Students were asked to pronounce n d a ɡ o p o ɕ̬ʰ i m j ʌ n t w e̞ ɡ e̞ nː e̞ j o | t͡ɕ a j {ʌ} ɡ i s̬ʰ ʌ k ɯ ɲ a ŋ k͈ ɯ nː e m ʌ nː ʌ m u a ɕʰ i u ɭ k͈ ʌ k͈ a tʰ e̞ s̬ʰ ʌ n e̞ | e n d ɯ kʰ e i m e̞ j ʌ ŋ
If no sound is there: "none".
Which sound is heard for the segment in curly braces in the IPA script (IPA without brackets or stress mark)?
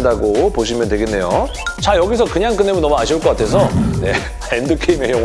ʌ